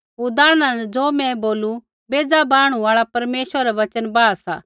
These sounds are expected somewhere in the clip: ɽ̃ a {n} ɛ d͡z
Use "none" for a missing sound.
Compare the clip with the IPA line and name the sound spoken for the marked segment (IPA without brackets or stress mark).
n